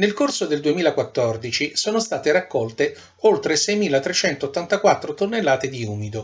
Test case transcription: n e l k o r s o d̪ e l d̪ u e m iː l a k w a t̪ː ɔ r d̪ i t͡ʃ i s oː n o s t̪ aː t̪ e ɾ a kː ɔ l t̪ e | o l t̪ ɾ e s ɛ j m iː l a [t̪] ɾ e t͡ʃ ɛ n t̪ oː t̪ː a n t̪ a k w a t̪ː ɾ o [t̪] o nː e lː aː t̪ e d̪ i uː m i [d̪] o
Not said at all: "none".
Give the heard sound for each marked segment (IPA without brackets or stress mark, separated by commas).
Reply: t̪, t̪, d̪